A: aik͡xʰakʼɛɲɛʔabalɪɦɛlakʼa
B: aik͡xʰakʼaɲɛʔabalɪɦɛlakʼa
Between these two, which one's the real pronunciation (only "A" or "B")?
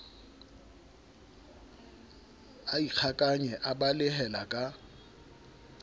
B